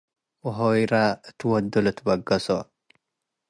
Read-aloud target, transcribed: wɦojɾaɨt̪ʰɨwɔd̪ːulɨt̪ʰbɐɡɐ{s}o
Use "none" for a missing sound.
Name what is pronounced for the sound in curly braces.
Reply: s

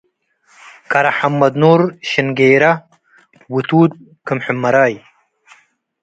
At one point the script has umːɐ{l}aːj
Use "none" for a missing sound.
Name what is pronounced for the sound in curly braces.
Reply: ɾ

